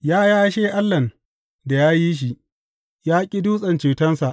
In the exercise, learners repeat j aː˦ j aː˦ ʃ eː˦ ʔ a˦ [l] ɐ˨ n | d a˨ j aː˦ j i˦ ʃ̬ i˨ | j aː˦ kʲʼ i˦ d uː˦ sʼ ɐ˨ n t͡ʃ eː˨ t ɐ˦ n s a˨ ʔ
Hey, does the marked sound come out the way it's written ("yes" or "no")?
no